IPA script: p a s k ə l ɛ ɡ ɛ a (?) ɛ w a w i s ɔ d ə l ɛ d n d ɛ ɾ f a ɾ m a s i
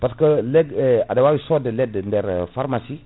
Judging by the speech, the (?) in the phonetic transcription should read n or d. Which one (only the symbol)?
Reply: d